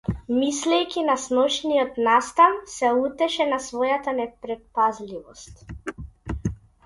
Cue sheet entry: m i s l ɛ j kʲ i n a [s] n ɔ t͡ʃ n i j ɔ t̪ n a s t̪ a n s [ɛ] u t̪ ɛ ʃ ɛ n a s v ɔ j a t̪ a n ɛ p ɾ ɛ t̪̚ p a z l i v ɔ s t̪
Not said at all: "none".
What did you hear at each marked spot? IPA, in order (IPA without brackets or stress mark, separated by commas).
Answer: s, ɛ